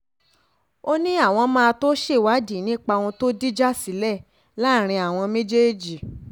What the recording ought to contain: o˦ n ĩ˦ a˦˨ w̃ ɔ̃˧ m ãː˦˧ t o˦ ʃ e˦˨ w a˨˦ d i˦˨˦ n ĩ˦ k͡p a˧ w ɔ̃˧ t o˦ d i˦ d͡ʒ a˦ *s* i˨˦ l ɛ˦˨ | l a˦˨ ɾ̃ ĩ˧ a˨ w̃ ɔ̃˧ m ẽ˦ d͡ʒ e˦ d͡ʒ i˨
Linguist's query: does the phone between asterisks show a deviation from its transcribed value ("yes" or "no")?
no